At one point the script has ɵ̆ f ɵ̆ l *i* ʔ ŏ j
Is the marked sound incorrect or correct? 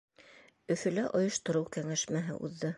incorrect